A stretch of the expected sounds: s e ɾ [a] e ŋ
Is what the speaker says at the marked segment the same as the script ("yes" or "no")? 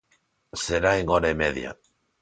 yes